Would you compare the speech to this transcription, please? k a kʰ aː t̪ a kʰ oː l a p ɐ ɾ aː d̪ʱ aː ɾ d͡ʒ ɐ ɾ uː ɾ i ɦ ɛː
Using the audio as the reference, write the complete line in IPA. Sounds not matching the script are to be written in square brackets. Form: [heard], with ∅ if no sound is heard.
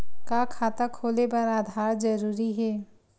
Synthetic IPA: k a kʰ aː t̪ a kʰ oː l [e] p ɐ ɾ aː d̪ʱ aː ɾ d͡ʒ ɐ ɾ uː ɾ i ɦ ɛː